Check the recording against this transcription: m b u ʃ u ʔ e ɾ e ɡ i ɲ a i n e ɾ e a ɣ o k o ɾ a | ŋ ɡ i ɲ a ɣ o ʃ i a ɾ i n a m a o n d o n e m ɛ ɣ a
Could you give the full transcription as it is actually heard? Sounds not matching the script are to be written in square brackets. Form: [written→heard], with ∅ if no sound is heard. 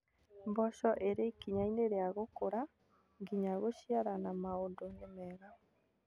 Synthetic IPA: m b [u→ɔ] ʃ [u→ɔ] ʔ e ɾ e [ɡ→k] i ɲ a i n e ɾ e a ɣ o k o ɾ a | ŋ ɡ i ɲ a ɣ o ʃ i a ɾ [i→a] n a m a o n d o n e m ɛ ɣ a